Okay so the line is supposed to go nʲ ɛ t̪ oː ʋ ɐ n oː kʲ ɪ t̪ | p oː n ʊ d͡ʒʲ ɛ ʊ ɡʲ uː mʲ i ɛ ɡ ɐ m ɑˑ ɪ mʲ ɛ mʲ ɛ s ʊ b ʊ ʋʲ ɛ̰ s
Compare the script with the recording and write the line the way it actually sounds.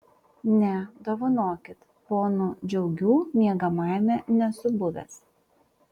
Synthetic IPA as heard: nʲ ɛ d̪ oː ʋ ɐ n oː kʲ ɪ t̪ | p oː n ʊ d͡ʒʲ ɛ ʊ ɡʲ uː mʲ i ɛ ɡ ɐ m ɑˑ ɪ mʲ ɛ nʲ ɛ s ʊ b ʊ ʋʲ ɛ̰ s